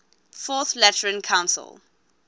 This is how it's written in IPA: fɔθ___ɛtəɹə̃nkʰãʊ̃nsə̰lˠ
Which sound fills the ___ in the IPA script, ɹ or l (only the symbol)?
l